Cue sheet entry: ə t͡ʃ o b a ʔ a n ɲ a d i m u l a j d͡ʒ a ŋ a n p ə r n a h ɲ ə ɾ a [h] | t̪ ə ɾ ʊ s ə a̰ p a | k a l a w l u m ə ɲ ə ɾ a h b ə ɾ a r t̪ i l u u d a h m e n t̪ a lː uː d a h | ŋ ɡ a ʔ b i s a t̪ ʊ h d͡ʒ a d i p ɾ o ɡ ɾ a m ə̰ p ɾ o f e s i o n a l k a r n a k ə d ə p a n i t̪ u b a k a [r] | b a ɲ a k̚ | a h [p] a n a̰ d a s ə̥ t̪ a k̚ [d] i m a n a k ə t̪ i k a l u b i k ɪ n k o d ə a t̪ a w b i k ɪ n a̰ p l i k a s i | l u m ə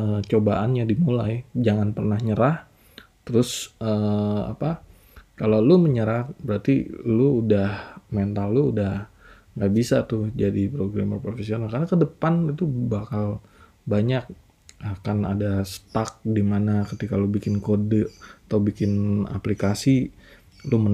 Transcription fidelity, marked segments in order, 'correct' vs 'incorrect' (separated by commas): correct, incorrect, incorrect, correct